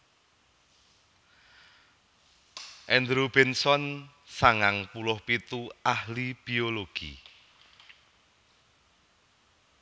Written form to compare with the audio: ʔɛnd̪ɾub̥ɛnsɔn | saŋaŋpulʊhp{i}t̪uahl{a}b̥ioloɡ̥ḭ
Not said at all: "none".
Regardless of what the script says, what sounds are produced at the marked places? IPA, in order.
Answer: i, i

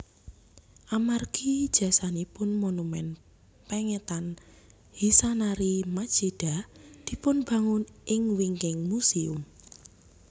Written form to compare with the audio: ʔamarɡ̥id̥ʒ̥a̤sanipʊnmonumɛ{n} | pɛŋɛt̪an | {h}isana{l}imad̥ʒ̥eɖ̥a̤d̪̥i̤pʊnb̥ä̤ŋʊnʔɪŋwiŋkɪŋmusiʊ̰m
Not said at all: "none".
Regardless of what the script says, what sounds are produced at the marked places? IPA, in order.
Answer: n, h, ɾ

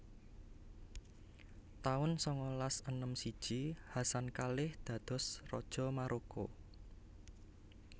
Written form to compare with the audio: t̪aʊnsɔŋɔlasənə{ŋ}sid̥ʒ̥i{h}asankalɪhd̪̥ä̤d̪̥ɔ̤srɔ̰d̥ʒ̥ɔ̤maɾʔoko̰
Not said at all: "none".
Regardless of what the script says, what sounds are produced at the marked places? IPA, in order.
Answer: m, h

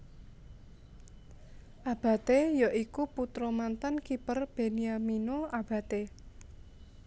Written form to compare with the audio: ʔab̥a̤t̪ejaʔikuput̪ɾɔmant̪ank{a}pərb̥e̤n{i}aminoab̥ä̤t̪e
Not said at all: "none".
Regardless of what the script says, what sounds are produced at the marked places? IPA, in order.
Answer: i, i

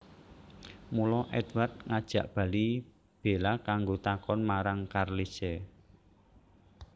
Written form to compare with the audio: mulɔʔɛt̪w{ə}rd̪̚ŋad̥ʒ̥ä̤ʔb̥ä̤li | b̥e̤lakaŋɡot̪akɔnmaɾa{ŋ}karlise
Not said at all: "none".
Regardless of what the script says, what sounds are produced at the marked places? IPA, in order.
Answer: a, ŋ

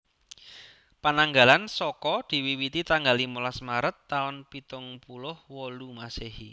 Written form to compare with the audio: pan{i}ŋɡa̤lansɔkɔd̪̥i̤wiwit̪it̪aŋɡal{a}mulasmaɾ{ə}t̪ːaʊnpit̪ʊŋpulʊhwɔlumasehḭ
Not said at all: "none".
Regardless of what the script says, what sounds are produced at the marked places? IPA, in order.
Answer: a, i, ə

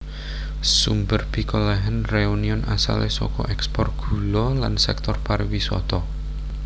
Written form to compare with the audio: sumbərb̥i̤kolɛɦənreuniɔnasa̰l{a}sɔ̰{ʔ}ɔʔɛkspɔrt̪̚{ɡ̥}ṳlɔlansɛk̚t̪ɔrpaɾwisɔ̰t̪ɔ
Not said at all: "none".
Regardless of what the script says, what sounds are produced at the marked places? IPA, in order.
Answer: e, k, ɡ̥

